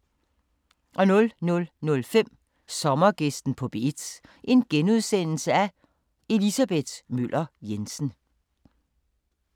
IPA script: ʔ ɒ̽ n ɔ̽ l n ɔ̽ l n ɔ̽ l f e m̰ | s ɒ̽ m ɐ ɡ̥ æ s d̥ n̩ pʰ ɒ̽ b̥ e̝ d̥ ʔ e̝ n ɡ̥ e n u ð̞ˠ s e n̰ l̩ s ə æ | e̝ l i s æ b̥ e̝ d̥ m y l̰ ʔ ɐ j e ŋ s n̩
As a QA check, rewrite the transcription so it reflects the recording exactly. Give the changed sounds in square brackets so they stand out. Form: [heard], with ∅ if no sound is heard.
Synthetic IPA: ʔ ɒ̽ n ɔ̽ l n ɔ̽ l n ɔ̽ l f e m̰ | s ɒ̽ m ɐ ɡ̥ [e] s d̥ n̩ pʰ ɒ̽ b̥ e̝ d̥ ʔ e̝ n ɡ̥ e n u ð̞ˠ s e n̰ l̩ s ə æ | e̝ l i s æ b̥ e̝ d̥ m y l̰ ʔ ɐ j e [n] s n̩

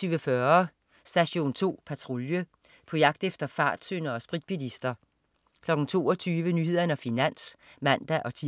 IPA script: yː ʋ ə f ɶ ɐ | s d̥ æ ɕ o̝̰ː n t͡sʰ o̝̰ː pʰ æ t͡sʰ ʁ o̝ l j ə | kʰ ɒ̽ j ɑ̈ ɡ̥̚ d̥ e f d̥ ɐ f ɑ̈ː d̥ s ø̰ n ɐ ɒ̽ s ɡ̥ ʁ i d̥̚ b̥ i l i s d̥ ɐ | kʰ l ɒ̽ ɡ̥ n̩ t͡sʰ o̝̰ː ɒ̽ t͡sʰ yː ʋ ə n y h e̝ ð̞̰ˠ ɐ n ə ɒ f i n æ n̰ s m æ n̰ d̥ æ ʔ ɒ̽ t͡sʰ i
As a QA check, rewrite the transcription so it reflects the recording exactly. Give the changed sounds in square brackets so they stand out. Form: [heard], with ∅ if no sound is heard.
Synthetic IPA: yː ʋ ə f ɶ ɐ | s d̥ æ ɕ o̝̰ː n t͡sʰ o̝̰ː pʰ æ t͡sʰ ʁ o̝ l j ə | [pʰ] ɒ̽ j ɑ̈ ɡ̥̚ d̥ e f d̥ ɐ f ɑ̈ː d̥ s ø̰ n ɐ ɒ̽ s [b̥] ʁ i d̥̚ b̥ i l i s d̥ ɐ | kʰ l ɒ̽ ɡ̥ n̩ t͡sʰ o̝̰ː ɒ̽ t͡sʰ yː ʋ ə n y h e̝ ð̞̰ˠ ɐ n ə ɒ f i n æ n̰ s m æ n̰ d̥ æ ʔ ɒ̽ t͡sʰ i

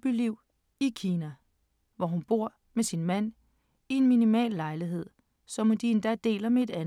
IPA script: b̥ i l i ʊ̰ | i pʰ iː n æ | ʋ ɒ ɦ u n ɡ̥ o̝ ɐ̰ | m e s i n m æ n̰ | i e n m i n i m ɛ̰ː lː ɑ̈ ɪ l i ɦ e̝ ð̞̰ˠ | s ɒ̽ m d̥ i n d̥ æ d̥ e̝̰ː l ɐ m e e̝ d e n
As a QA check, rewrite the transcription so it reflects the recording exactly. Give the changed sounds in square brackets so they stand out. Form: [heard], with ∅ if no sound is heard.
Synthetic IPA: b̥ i l i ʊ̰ | i [kʰ] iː n æ | ʋ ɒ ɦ u n [b̥] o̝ ɐ̰ | m e s i n m æ n̰ | i e n m i n i m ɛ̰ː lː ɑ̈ ɪ l i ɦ e̝ ð̞̰ˠ | s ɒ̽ m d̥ i n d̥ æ d̥ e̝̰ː l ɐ m e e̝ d [æ] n

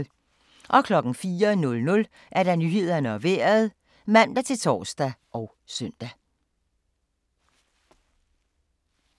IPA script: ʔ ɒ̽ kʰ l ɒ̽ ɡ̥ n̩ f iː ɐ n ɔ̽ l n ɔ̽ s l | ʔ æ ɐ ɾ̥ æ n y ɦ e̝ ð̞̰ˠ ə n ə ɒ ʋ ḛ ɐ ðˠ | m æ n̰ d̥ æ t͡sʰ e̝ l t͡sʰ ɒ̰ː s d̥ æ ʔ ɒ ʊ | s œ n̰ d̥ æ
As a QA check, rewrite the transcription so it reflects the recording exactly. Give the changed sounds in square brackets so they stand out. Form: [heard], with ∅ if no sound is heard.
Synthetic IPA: ʔ ɒ̽ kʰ l ɒ̽ ɡ̥ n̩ f iː ɐ n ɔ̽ l n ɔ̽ [∅] l | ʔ æ ɐ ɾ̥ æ n y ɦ e̝ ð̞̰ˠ [ɐ] n ə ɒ ʋ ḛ ɐ ðˠ | m æ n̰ d̥ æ t͡sʰ e̝ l t͡sʰ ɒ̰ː s d̥ æ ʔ ɒ ʊ | s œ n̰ d̥ æ

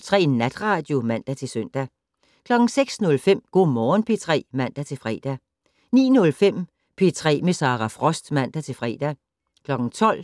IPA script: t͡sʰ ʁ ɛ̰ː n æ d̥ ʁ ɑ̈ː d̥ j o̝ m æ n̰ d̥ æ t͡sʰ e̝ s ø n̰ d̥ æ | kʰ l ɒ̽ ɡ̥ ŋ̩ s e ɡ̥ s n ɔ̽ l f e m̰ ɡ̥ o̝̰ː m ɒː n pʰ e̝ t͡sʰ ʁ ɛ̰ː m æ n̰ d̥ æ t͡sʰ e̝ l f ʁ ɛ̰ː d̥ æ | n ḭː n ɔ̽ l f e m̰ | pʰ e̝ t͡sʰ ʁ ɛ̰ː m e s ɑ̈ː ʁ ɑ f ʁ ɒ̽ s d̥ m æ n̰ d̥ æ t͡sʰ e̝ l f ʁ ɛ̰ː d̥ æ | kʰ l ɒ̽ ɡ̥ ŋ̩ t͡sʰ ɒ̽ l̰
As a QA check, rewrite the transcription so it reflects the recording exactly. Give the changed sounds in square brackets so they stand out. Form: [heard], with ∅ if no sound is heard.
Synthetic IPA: t͡sʰ ʁ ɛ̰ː n æ d̥ ʁ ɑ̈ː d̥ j o̝ m æ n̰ d̥ æ t͡sʰ e̝ s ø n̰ d̥ æ | kʰ l ɒ̽ ɡ̥ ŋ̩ s e ɡ̥ s n ɔ̽ l f e m̰ ɡ̥ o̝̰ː m ɒː n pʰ e̝ t͡sʰ ʁ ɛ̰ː m æ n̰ d̥ æ t͡sʰ e̝ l f ʁ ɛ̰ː d̥ æ | n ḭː n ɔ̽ l f e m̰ | pʰ e̝ t͡sʰ ʁ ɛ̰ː m e s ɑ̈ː ʁ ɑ f ʁ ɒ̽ s d̥ m æ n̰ d̥ æ t͡sʰ e̝ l f ʁ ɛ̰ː d̥ æ | kʰ l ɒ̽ ɡ̥ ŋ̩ t͡sʰ ɒ̽ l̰

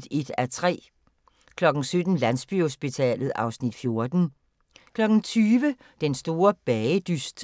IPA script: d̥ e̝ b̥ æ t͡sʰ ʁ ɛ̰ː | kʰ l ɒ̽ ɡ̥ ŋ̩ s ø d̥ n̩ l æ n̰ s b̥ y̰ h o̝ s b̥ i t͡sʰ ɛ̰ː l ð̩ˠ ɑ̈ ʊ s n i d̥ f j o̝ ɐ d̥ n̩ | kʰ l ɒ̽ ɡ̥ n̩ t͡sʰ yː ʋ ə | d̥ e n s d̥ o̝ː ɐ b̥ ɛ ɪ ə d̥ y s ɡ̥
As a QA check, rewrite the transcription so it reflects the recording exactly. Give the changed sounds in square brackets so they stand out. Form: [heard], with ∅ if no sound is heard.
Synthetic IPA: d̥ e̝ [d̥] æ t͡sʰ ʁ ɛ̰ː | kʰ l ɒ̽ ɡ̥ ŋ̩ s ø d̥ n̩ l æ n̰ s b̥ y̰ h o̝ s b̥ i t͡sʰ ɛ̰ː l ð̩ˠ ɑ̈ ʊ s n i d̥ f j o̝ ɐ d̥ n̩ | kʰ l ɒ̽ ɡ̥ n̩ t͡sʰ yː ʋ ə | d̥ e n s d̥ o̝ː ɐ b̥ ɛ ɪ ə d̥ y s [d̥]

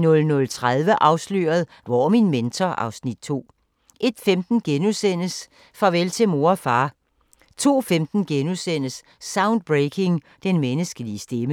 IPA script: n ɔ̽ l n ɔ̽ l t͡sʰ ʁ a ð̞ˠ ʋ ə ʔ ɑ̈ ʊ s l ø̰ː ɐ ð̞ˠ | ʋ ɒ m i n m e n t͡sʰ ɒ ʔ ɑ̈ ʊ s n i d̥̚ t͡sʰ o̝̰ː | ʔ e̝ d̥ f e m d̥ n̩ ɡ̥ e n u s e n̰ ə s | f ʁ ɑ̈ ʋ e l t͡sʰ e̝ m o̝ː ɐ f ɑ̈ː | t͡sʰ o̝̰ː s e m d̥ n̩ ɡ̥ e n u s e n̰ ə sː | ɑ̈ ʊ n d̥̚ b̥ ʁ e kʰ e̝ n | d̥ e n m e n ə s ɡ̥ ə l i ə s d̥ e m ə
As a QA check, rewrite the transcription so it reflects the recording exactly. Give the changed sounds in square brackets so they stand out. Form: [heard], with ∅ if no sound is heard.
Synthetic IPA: n ɔ̽ l n ɔ̽ l t͡sʰ ʁ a ð̞ˠ ʋ ə ʔ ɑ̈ ʊ s l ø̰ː ɐ ð̞ˠ | ʋ ɒ m i n m e n t͡sʰ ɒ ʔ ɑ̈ ʊ s n i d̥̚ t͡sʰ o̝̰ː | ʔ e̝ d̥ f e m d̥ n̩ ɡ̥ e n u s e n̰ ə s | f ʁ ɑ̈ ʋ e l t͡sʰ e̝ m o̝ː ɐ f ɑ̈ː | t͡sʰ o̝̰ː [f] e m d̥ n̩ ɡ̥ e n u s e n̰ ə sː | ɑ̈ ʊ n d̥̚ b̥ ʁ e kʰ e̝ [ŋ] | d̥ e n m e n ə s ɡ̥ ə l i ə s d̥ e m ə

